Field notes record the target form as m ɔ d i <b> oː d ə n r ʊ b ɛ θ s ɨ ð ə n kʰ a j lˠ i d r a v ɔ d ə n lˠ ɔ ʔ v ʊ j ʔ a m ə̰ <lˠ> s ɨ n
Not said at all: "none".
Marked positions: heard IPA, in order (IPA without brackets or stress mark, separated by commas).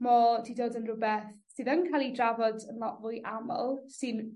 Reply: d, lˠ